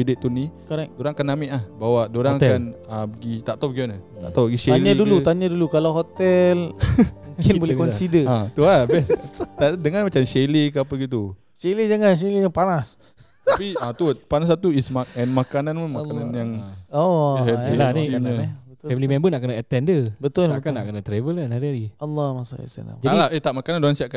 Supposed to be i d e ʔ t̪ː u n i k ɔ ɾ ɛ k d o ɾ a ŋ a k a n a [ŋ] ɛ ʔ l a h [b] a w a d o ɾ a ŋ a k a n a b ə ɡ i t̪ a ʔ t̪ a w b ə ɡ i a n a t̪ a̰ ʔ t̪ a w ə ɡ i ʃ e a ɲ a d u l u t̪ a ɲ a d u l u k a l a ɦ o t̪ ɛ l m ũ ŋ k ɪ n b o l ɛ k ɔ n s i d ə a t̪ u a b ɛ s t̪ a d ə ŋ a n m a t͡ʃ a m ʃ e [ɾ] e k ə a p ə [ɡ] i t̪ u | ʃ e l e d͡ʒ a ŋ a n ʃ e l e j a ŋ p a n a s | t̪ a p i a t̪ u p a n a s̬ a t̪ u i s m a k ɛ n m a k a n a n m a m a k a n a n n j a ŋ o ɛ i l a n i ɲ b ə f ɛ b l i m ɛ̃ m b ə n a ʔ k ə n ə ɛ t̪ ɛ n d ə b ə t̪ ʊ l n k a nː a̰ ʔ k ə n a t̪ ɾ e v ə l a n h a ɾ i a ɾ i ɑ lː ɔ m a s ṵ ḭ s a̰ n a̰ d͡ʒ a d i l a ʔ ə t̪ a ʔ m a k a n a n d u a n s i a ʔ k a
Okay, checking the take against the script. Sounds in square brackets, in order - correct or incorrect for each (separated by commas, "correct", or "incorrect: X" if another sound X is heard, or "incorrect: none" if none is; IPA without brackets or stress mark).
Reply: incorrect: m, correct, incorrect: l, correct